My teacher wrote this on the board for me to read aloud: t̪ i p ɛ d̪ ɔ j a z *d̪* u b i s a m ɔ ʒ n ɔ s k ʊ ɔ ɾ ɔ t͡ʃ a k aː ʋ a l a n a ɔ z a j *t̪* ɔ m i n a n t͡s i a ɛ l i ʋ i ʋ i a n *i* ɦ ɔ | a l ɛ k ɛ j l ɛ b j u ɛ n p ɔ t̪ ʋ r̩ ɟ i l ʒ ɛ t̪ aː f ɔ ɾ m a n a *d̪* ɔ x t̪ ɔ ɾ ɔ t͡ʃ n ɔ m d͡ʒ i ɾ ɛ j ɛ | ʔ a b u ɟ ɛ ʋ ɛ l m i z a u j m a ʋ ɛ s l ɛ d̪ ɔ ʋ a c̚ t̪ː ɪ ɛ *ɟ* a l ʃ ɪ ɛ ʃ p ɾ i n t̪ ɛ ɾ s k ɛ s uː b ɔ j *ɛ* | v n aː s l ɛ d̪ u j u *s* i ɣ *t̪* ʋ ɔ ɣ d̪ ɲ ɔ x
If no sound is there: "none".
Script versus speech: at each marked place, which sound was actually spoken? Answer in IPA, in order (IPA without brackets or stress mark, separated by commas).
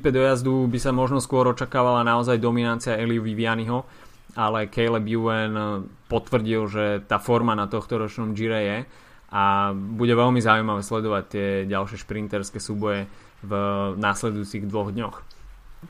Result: d̪, d̪, i, t̪, ɟ, ɛ, t͡s, d̪